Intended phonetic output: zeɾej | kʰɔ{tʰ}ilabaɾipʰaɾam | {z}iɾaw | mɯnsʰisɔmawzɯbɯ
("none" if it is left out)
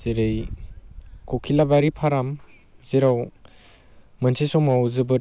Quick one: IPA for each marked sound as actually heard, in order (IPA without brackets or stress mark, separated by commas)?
kʰ, z